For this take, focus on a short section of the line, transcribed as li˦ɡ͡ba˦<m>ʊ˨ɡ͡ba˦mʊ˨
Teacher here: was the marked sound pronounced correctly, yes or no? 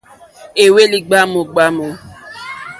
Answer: yes